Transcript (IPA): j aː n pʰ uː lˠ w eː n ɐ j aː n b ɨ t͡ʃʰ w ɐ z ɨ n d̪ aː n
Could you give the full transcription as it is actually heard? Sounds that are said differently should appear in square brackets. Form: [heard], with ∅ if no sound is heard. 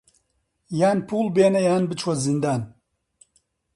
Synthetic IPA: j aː n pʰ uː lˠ [b] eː n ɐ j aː n b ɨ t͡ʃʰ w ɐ z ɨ n d̪ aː n